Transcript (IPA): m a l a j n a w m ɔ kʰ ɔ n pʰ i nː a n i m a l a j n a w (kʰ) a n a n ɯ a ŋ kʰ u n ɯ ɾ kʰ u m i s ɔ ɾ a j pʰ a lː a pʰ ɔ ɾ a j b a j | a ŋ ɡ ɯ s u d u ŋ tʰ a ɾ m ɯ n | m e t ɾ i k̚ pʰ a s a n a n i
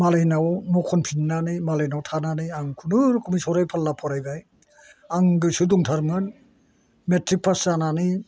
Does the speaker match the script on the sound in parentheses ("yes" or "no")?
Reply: no